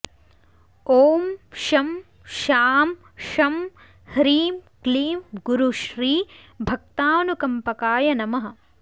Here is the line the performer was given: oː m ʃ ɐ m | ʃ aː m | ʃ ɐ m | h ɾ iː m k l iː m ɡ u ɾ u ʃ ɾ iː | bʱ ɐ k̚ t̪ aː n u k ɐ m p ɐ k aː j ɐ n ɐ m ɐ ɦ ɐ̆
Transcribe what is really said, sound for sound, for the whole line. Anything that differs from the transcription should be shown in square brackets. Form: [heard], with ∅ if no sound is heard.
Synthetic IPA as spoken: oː m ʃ ɐ m | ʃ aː m | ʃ ɐ m | h ɾ iː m k l iː m ɡ u ɾ u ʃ ɾ iː | bʱ ɐ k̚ t̪ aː n u k ɐ m p ɐ k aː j ɐ n ɐ m ɐ ɦ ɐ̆